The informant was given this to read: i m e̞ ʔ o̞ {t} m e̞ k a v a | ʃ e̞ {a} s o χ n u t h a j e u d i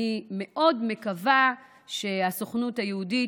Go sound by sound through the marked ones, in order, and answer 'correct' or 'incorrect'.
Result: incorrect: d, correct

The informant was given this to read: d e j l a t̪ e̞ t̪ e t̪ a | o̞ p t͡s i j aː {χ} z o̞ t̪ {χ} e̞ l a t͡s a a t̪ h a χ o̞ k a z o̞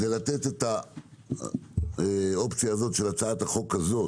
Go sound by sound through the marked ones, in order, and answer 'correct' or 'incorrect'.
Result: incorrect: none, incorrect: ʃ

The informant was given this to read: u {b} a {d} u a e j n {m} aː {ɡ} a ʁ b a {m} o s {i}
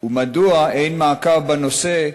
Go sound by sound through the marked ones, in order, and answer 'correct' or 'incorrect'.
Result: incorrect: m, correct, correct, incorrect: k, incorrect: n, incorrect: e

